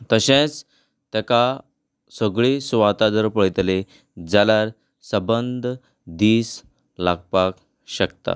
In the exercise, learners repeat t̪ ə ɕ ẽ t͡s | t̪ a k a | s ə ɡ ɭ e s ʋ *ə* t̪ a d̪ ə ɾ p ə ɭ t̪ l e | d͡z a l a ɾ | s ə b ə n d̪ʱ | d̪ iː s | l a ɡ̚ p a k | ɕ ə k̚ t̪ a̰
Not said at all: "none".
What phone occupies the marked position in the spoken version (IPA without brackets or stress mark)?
a